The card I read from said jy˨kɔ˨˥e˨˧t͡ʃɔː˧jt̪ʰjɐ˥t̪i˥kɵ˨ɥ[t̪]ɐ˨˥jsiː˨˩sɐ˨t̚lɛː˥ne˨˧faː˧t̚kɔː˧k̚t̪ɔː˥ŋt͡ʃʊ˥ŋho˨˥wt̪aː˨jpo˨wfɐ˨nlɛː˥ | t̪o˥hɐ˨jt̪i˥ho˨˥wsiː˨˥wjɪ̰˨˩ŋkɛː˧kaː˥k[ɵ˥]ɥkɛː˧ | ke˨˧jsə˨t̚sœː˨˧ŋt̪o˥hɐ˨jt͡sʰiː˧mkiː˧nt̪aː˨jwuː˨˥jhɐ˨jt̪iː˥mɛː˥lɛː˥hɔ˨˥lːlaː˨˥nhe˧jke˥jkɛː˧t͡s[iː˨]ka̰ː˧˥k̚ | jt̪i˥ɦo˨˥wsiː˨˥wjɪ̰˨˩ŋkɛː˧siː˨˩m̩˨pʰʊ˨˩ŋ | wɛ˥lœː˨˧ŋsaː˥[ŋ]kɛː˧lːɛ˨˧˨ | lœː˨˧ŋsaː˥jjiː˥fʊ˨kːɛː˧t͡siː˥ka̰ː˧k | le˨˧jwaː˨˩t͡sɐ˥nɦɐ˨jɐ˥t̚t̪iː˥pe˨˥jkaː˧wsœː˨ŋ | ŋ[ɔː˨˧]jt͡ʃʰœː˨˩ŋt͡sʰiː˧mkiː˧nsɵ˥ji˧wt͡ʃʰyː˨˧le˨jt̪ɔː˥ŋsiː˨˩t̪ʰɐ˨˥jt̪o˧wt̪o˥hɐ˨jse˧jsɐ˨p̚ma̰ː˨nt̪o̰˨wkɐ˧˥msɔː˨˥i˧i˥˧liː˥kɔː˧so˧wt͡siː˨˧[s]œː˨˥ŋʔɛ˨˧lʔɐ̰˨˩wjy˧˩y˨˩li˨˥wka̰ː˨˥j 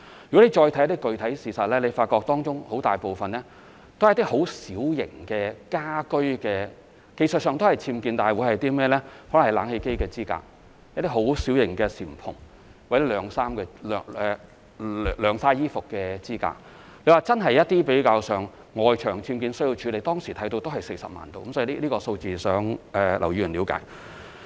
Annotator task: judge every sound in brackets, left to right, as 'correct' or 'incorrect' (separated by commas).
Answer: incorrect, correct, incorrect, incorrect, correct, correct